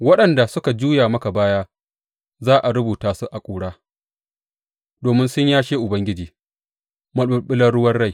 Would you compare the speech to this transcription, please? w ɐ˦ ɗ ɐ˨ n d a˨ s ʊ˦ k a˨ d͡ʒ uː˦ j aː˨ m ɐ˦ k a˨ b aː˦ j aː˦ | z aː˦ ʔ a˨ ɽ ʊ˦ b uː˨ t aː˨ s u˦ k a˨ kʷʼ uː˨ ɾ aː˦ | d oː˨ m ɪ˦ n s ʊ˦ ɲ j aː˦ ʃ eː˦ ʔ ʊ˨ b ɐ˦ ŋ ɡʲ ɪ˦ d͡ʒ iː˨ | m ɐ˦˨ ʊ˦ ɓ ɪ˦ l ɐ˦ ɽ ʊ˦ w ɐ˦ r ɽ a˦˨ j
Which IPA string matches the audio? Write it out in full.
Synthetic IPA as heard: w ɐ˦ ɗ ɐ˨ n d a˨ s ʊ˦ k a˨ d͡ʒ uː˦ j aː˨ m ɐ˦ k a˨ b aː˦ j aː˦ | z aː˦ ʔ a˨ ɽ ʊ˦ b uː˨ t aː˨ s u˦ ʔ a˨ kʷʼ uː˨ ɽ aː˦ | d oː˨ m ɪ˦ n s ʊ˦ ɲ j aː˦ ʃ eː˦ ʔ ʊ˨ b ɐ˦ ŋ ɡʲ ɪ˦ d͡ʒ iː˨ | m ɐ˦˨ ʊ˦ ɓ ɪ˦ l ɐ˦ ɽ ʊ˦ w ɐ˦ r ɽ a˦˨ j